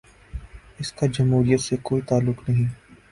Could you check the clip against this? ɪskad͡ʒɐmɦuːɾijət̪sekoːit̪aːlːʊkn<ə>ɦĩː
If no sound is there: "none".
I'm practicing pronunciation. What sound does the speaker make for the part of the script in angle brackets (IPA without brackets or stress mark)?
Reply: ɐ